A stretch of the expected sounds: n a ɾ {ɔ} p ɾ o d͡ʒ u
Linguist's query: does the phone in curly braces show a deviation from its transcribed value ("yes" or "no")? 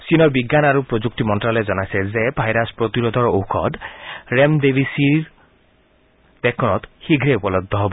yes